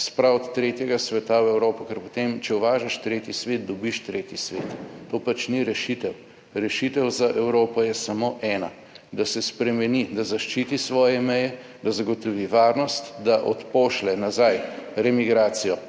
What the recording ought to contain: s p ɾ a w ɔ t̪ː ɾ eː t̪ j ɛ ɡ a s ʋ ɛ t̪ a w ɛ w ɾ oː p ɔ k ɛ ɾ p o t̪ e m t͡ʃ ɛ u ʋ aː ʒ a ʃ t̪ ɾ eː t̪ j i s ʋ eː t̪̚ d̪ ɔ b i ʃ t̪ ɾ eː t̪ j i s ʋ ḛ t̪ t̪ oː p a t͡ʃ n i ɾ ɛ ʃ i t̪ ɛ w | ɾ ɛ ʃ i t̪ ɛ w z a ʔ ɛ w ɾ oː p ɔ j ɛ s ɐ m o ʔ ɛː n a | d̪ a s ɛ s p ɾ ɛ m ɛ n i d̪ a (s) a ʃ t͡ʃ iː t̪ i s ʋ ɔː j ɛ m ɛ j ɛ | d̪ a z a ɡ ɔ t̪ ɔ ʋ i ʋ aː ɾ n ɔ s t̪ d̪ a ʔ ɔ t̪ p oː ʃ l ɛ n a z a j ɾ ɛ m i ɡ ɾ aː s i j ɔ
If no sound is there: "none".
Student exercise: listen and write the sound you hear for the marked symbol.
z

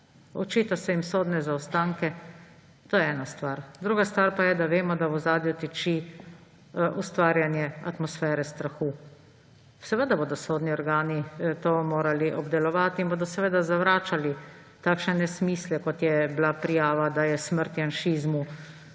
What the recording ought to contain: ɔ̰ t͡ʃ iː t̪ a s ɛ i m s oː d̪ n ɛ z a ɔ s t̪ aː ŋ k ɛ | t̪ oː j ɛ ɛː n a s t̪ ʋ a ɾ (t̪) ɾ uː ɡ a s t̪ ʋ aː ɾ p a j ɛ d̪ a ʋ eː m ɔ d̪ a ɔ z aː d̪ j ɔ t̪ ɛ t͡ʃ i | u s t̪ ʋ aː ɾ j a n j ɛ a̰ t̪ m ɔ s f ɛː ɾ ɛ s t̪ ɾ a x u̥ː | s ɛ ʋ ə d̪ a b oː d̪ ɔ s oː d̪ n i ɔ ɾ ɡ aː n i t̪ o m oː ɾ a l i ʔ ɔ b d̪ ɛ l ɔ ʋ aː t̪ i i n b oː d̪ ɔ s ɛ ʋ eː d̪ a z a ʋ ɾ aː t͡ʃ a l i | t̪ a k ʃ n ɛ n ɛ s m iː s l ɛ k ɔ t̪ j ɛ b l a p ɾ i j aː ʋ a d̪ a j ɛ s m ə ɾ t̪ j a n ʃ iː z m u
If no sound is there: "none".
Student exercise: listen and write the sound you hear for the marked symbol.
d̪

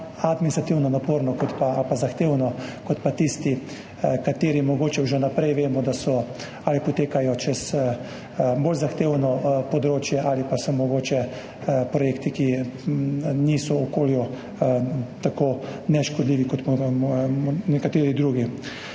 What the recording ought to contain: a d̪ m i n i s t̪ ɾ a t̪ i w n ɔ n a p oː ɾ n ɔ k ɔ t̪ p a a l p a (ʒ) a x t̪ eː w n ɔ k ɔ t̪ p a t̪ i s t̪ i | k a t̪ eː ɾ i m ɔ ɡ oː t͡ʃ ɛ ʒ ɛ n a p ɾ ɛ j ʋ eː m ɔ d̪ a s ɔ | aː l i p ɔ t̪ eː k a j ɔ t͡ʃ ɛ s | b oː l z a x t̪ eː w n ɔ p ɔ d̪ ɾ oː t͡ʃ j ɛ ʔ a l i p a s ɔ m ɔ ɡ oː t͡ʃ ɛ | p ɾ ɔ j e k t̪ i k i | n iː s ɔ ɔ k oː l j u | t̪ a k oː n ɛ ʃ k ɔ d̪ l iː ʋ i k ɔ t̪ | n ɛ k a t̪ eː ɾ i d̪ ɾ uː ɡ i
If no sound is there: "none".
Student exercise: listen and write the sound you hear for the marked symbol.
z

